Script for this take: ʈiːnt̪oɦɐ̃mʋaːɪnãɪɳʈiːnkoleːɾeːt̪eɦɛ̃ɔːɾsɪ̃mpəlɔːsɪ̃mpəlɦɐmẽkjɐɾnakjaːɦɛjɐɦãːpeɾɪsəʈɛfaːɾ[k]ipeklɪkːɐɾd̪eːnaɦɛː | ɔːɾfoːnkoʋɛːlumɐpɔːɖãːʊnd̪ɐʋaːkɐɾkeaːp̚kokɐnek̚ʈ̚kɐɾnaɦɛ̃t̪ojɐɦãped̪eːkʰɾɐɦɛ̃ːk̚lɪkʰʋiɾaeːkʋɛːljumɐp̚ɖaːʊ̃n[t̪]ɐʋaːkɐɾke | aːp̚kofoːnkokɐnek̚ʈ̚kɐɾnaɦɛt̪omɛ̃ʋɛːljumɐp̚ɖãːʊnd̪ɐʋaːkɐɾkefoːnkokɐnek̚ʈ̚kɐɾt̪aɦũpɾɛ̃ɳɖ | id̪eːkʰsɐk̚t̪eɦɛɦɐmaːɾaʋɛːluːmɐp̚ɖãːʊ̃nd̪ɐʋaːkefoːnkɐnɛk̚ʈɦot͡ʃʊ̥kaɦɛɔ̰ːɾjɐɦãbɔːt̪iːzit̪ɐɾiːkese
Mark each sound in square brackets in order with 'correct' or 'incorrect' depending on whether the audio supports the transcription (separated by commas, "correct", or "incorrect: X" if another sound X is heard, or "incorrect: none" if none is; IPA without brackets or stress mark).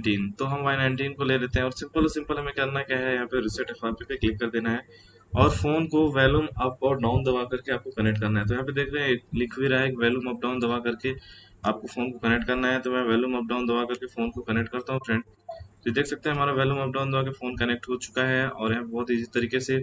incorrect: p, incorrect: d̪